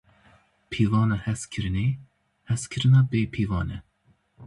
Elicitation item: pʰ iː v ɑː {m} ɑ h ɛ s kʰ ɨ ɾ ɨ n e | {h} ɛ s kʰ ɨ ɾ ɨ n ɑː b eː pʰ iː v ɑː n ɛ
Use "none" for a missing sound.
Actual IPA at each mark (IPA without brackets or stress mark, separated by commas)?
n, h